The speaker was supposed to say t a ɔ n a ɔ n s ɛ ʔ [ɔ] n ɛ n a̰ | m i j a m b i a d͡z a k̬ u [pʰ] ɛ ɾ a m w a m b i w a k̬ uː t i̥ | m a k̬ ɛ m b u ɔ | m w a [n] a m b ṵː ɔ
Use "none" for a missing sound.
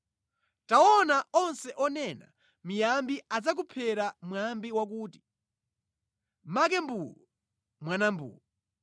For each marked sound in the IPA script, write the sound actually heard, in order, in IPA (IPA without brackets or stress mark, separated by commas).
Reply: ɔ, pʰ, n